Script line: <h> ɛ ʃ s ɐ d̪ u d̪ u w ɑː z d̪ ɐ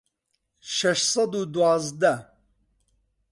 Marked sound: incorrect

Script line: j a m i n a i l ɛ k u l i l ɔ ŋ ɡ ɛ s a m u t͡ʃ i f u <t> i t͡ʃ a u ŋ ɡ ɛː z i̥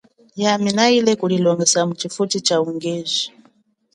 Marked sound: correct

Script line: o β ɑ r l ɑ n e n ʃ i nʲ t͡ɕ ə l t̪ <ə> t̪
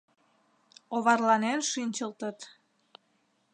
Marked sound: correct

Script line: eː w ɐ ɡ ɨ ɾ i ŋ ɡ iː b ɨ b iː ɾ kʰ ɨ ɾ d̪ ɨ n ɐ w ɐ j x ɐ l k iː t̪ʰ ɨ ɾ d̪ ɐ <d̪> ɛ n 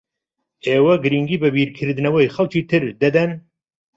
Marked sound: correct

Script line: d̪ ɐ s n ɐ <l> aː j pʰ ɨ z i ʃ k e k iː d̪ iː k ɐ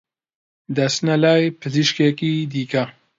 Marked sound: correct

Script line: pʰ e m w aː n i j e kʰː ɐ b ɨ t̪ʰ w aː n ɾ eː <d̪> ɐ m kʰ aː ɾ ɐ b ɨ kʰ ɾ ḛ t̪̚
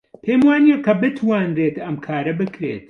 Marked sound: incorrect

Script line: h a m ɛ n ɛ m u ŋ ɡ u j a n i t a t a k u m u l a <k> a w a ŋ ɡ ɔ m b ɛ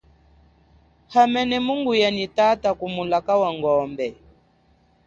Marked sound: correct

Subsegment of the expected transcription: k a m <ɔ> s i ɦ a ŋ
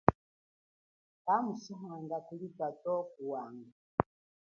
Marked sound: incorrect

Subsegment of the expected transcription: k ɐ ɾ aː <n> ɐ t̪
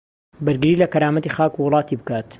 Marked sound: incorrect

